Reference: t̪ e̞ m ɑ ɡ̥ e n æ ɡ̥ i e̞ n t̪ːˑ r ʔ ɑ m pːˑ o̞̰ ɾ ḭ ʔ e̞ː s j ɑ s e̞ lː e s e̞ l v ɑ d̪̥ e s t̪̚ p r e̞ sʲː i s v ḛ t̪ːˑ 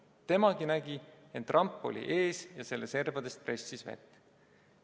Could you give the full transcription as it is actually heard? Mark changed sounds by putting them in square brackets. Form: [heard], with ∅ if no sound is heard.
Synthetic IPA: t̪ e̞ m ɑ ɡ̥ [i] n æ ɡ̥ i e̞ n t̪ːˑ r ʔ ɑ m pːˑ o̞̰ [l] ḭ ʔ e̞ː s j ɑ s e̞ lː e s e̞ [r] v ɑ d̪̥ e s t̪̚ p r e̞ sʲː i s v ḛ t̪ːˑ

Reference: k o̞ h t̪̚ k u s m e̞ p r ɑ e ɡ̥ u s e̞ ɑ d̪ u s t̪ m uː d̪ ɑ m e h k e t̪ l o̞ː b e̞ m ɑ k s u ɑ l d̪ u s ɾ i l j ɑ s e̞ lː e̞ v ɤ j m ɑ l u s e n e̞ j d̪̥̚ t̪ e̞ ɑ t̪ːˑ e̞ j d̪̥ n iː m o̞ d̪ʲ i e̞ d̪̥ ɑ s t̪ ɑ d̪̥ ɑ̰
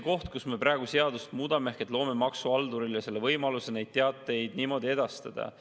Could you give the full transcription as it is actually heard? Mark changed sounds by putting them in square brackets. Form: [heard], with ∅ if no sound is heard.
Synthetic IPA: k o̞ h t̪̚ k u s m e̞ p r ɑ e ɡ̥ u s e̞ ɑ d̪ u s t̪ m uː d̪ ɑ m e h k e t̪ l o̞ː [m] e̞ m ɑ k s u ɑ l d̪ u [∅] ɾ i l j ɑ s e̞ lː e̞ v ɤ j m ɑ l u s e n e̞ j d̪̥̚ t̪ e̞ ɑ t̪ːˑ e̞ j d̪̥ n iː m o̞ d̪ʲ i e̞ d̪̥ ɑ s t̪ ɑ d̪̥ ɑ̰

